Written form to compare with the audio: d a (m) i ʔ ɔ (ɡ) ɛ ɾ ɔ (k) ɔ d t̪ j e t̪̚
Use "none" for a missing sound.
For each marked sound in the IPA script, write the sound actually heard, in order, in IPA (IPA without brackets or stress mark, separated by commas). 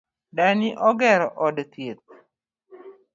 n, ɡ, ʔ